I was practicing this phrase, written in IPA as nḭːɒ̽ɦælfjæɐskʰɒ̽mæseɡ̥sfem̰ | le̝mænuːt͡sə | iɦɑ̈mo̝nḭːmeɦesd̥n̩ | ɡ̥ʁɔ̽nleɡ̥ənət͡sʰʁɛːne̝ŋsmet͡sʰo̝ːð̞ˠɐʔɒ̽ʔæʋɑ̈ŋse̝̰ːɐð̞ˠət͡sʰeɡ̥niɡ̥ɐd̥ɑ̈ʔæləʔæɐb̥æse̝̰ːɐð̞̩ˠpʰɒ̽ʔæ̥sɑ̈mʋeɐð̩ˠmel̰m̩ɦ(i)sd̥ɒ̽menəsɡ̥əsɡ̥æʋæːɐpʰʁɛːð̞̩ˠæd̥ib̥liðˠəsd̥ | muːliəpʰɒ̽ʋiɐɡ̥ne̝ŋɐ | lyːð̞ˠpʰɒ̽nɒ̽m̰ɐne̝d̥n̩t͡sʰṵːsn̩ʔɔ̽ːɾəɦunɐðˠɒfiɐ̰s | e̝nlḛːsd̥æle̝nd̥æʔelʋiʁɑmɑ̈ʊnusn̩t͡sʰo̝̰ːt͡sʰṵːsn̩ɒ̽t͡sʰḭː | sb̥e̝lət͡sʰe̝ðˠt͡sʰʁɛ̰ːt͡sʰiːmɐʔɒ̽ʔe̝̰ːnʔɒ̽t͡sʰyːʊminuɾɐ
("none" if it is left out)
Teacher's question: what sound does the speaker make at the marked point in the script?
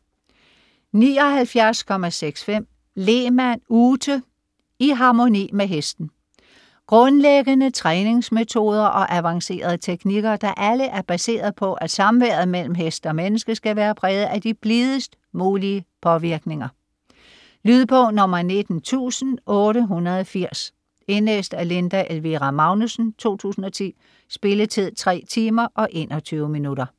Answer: e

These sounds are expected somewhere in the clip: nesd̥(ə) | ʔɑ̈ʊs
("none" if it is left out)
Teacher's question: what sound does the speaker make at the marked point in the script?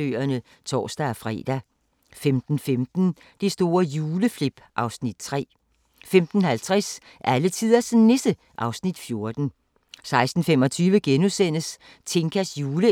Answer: ə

